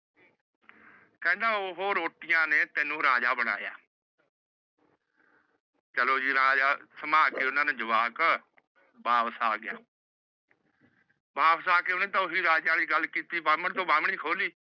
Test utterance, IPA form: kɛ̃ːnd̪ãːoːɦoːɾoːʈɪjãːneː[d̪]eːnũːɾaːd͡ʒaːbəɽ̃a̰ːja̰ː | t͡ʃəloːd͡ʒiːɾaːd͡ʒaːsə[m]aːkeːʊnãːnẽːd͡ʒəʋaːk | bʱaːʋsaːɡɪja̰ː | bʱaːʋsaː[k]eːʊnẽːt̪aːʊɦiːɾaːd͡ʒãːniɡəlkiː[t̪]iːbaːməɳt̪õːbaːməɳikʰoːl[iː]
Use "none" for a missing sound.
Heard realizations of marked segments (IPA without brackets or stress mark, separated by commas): t̪, m, k, t̪, iː